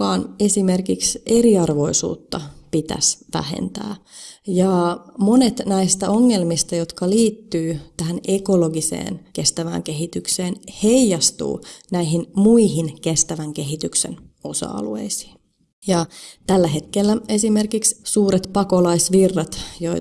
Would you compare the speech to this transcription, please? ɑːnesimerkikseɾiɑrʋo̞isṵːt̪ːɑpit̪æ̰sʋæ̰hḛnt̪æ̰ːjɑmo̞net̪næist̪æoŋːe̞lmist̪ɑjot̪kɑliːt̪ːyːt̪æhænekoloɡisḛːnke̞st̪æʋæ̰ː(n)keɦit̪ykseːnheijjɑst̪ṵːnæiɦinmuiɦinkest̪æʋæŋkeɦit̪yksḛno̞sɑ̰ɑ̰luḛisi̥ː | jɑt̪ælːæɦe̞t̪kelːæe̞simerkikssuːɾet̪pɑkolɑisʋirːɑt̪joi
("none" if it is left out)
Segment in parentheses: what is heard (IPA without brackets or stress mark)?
ŋ